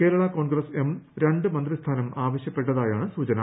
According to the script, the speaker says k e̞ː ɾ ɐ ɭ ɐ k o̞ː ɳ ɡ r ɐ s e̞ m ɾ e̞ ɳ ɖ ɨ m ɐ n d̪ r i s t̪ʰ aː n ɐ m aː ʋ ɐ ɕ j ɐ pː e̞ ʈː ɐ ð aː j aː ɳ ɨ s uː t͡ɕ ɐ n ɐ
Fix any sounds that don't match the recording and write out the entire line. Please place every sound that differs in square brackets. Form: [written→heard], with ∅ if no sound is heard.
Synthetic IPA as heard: k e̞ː ɾ ɐ ɭ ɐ k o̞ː ɳ ɡ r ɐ s e̞ m ɾ e̞ ɳ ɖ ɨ m ɐ n d̪ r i s t̪ʰ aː n ɐ m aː ʋ ɐ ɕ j ɐ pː e̞ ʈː ɐ ð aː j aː ɳ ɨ s uː t͡ɕ ɐ n ɐ